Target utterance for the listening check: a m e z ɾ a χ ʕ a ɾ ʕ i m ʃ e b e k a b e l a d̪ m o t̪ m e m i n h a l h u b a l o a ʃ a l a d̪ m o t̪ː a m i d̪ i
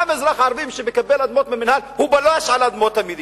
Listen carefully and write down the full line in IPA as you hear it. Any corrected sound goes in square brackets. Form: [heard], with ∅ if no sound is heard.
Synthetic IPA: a m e z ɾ a χ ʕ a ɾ [v] i m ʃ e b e k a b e l a d̪ m o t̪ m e m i n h a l h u b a l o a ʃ a l a d̪ m o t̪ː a m i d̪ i